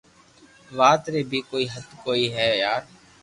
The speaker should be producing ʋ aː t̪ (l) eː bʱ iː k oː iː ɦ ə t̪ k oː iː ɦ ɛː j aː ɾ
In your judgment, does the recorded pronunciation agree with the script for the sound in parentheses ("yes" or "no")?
no